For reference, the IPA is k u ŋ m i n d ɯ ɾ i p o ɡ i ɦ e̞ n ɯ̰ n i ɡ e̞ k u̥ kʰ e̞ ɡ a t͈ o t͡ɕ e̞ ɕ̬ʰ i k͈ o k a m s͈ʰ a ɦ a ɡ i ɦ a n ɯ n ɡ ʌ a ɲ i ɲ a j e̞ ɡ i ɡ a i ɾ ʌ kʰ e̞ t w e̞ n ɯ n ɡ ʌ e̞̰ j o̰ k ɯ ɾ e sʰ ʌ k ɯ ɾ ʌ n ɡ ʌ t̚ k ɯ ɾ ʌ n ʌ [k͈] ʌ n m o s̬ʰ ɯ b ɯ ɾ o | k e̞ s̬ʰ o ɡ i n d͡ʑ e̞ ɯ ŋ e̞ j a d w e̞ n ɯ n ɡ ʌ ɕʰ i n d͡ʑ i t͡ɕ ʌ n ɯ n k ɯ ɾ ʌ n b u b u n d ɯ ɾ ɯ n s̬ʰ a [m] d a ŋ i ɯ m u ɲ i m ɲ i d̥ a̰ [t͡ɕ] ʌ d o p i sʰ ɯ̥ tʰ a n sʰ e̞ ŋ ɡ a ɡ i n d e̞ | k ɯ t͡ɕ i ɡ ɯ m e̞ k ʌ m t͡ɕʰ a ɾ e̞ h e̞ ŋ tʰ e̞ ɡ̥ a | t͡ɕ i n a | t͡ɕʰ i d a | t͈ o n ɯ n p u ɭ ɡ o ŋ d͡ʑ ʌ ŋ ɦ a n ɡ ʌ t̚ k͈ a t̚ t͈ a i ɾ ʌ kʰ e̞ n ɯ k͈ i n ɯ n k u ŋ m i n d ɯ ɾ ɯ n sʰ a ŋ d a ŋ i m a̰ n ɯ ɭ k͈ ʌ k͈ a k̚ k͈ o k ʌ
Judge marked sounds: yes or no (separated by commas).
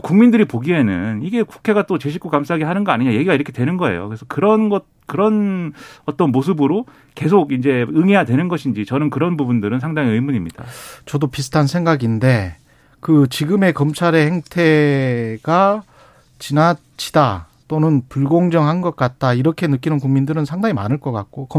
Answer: no, no, yes